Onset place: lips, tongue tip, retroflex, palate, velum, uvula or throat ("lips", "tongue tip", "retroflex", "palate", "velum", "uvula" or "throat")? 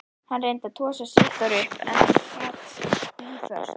throat